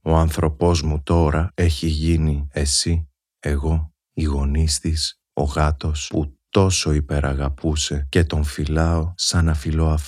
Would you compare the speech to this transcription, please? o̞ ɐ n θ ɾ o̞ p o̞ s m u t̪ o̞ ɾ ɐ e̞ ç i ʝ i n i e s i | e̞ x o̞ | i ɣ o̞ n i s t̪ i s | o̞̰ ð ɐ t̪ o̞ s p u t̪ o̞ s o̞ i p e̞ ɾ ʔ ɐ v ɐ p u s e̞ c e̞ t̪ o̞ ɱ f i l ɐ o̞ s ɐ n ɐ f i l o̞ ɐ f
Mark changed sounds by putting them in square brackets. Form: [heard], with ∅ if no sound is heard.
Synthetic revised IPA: o̞ ɐ n θ ɾ o̞ p o̞ [z] m u t̪ o̞ ɾ ɐ e̞ ç i ʝ i n i e s i | e̞ [ɣ] o̞ | i ɣ o̞ n i s t̪ i s | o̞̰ [ɣ] ɐ t̪ o̞ s p u t̪ o̞ s o̞ i p e̞ ɾ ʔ ɐ [ɣ] ɐ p u s e̞ c e̞ t̪ o̞ ɱ f i l ɐ o̞ s ɐ n ɐ f i l o̞ ɐ f